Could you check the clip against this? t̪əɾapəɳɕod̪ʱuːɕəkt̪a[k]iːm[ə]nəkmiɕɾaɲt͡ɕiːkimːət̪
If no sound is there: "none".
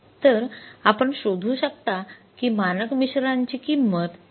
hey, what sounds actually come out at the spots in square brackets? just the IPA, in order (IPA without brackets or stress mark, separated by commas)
k, a